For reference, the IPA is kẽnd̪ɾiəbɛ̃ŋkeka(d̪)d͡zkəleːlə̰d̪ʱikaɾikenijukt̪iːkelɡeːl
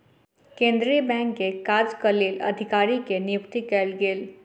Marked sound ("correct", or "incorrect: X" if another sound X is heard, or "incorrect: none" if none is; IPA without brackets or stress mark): incorrect: none